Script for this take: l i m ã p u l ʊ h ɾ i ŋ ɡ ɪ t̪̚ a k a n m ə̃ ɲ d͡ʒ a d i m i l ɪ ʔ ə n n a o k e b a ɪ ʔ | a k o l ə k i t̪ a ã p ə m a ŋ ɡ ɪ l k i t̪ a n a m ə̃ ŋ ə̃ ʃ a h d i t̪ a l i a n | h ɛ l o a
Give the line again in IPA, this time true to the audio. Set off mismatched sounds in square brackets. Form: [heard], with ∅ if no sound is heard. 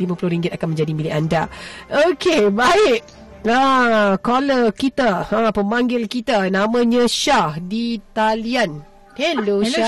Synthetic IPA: l i m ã p u l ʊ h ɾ i ŋ ɡ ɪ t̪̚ a k a n m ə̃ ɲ d͡ʒ a d i m i l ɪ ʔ [a] n [d] a o k e b a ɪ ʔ | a k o l ə k i t̪ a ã p ə m a ŋ ɡ ɪ l k i t̪ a n a m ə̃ [ɲ] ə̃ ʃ a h d i t̪ a l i a n | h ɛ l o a